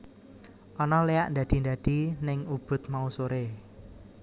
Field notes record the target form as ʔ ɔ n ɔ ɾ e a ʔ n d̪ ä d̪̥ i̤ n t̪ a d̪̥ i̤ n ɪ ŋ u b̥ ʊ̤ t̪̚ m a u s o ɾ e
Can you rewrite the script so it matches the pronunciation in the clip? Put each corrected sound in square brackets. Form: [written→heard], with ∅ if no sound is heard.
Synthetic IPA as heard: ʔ ɔ n ɔ [ɾ→l] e a ʔ n d̪ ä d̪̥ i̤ n [t̪→d̪] a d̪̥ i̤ n ɪ ŋ u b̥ ʊ̤ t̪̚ m a u s o ɾ e